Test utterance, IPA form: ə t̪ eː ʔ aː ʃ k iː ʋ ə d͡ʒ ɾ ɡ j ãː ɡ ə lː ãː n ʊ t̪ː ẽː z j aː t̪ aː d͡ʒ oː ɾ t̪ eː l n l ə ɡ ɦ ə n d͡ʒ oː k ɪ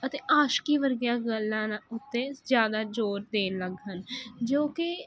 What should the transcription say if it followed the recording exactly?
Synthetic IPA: ə t̪ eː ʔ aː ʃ k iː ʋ ə ɾ ɡ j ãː ɡ ə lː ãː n ʊ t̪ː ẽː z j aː d̪ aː d͡ʒ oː ɾ d̪ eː n l ə ɡ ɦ ə n d͡ʒ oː k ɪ